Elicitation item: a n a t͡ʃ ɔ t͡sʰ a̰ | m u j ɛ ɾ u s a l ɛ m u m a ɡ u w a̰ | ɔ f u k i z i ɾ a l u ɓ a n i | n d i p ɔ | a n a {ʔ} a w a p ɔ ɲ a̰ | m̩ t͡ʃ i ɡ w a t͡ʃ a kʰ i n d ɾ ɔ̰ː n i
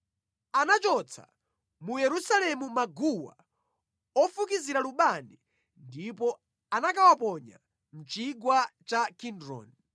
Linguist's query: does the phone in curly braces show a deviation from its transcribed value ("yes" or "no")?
yes